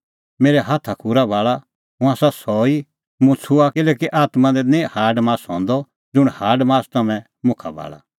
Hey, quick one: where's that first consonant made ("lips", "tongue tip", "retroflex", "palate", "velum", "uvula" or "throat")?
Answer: lips